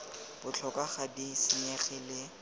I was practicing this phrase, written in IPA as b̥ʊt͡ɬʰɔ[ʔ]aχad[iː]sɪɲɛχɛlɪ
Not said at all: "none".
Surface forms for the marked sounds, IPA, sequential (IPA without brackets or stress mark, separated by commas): k, i